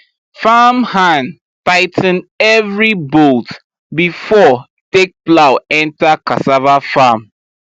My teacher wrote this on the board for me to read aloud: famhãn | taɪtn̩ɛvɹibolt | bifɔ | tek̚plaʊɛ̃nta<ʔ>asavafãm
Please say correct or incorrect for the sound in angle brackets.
incorrect